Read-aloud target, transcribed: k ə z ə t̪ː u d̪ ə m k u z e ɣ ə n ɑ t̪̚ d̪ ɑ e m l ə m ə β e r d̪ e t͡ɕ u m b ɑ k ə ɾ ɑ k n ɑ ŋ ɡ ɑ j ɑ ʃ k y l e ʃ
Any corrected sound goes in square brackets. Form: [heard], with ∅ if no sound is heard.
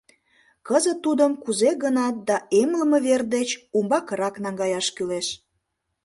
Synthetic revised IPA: k ə z ə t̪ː u d̪ ə m k u z e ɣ ə n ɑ t̪̚ d̪ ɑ e m l ə m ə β e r d̪ e t͡ɕ u m b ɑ k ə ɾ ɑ k n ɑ ŋ ɡ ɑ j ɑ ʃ k y l e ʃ